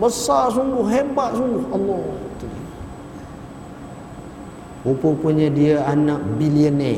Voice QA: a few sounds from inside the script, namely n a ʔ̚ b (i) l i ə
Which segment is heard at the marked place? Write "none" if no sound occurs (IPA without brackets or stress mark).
i